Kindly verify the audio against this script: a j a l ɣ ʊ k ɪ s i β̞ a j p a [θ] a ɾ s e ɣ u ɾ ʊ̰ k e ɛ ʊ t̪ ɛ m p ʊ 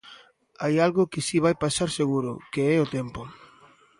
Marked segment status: incorrect: s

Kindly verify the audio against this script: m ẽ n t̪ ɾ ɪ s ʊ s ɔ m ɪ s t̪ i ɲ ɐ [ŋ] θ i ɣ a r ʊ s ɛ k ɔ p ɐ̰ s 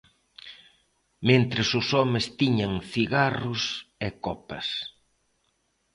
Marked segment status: correct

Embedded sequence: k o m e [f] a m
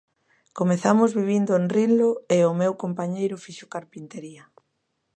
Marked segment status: incorrect: θ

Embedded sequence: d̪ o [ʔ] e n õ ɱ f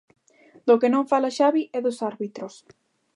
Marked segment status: incorrect: k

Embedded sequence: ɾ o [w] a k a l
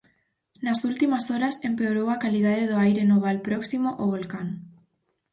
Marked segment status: correct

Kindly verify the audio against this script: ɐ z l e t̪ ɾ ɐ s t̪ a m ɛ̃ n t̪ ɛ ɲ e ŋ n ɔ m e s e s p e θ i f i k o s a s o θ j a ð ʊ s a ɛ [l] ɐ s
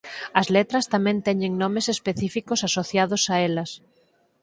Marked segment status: correct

